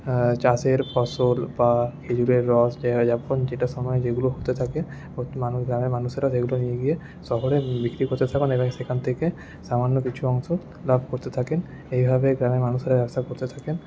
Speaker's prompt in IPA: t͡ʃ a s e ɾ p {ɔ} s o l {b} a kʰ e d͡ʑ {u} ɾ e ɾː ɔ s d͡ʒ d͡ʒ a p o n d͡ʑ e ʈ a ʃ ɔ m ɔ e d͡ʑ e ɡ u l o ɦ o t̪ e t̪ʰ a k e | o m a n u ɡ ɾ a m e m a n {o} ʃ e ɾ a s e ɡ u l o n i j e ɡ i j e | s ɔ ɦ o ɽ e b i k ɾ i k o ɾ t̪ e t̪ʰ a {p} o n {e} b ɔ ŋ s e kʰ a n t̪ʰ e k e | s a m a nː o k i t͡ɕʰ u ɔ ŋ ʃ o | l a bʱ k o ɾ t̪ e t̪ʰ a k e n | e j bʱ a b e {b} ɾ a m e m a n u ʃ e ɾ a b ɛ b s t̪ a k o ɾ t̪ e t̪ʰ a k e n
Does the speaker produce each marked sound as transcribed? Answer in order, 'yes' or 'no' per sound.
yes, yes, yes, no, no, yes, no

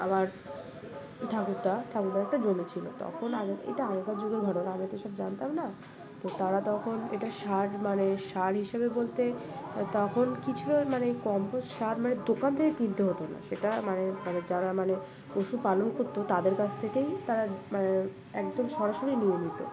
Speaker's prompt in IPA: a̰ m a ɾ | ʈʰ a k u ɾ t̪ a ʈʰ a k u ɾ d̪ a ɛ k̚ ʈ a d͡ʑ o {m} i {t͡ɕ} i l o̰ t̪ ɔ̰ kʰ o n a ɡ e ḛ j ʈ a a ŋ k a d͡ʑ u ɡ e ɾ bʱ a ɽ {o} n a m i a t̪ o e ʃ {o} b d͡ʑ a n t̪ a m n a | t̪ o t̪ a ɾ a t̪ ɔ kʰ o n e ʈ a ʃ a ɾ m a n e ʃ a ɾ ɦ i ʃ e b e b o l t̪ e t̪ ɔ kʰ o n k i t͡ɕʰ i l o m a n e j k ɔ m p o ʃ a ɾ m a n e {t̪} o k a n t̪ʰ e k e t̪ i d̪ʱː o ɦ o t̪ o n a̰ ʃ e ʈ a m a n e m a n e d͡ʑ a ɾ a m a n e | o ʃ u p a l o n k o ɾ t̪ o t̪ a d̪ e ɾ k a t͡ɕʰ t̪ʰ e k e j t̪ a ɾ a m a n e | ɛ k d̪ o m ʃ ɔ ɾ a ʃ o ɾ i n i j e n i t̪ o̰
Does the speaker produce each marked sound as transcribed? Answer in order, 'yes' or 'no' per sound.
yes, no, yes, no, no

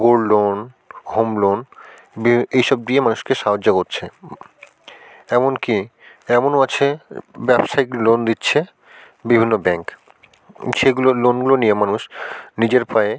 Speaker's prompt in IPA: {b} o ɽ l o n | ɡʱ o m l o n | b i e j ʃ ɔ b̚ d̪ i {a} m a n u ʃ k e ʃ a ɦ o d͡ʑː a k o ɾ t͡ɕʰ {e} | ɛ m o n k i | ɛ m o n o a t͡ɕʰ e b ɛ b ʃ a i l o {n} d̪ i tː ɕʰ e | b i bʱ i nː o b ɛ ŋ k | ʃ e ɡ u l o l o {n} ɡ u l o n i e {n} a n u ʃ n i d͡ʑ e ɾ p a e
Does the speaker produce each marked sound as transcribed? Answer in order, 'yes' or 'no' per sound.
no, no, yes, yes, yes, no

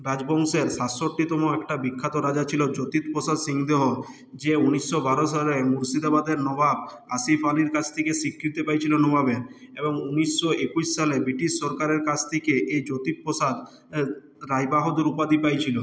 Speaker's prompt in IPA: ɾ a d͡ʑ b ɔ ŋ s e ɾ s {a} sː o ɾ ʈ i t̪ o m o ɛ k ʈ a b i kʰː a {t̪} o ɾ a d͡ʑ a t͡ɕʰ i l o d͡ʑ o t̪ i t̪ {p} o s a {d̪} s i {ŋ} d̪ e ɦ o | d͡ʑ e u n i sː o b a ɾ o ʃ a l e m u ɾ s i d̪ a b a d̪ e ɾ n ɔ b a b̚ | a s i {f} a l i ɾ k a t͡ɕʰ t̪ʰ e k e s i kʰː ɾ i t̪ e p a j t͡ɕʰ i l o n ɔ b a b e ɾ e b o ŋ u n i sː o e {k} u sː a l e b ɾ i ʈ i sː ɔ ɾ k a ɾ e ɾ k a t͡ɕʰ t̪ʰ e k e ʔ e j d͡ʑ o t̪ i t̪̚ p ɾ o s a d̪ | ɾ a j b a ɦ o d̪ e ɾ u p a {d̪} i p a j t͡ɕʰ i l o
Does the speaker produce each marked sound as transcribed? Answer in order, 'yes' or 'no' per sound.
yes, yes, yes, yes, yes, yes, yes, yes

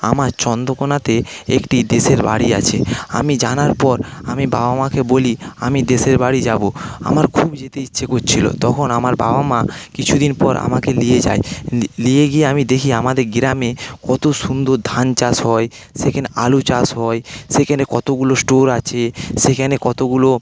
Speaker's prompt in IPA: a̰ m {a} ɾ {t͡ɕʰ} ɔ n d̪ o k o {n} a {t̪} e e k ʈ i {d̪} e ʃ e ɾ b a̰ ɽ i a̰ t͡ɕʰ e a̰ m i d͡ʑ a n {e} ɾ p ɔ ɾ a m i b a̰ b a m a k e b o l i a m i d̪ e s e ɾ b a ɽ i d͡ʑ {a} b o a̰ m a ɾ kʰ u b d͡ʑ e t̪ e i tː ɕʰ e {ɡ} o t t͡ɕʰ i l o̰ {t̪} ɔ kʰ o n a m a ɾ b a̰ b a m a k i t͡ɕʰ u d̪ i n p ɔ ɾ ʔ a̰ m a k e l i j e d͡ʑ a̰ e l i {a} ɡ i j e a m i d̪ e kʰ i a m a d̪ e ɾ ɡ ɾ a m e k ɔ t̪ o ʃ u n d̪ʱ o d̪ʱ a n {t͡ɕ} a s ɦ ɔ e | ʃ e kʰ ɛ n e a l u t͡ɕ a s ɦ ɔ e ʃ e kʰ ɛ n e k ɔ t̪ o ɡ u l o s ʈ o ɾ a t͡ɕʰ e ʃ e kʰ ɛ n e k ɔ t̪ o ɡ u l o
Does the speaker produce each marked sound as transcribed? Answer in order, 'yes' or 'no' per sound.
yes, no, yes, yes, yes, no, yes, no, yes, no, yes

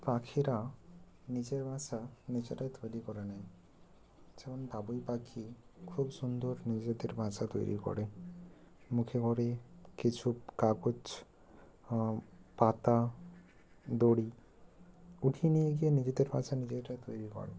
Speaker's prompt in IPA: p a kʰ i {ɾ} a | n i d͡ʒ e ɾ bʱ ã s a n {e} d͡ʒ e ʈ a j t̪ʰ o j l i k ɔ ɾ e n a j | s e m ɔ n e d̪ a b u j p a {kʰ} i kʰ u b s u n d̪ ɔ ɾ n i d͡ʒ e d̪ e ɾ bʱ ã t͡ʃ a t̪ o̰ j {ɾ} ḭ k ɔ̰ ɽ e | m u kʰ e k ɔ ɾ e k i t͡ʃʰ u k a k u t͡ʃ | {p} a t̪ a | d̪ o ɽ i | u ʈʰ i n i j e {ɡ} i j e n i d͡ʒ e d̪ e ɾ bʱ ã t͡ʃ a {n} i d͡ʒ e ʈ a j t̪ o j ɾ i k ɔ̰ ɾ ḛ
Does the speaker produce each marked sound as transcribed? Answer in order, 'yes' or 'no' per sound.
yes, no, yes, yes, yes, yes, yes

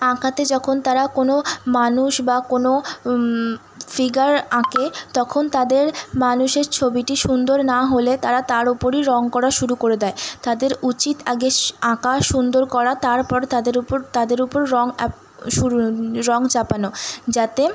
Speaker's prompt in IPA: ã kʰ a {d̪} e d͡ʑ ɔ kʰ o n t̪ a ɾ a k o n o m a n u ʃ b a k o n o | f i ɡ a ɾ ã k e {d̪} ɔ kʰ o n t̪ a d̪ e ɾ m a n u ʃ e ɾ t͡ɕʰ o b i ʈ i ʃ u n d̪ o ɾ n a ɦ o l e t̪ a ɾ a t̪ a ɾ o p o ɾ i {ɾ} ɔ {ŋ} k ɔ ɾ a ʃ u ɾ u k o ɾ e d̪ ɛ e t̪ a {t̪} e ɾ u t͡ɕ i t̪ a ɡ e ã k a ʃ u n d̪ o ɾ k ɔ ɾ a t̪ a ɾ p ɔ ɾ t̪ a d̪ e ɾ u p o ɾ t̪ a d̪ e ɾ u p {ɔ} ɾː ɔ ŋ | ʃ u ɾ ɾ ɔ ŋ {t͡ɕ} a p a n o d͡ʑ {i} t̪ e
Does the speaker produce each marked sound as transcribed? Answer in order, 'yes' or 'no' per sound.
no, no, yes, yes, no, no, yes, no

